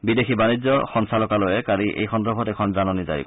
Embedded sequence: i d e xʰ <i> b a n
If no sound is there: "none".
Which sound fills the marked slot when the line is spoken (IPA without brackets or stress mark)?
i